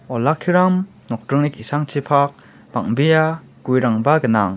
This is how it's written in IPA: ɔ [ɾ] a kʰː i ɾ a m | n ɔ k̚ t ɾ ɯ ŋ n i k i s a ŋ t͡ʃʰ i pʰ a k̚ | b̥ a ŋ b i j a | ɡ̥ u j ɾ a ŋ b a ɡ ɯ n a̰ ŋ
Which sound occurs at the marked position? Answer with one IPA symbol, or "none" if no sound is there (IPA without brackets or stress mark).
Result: l